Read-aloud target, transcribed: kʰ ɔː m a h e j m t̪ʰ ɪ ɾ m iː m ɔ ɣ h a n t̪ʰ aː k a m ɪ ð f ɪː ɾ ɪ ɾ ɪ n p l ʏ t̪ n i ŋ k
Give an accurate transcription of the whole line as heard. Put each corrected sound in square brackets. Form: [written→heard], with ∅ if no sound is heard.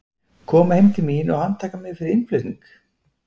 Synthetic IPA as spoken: kʰ ɔː m a h e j m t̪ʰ ɪ [ɾ→l] m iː [m→n] ɔ ɣ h a n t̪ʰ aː k a m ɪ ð f [ɪː→ɪ] ɾ ɪ ɾ ɪ n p l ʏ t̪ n i ŋ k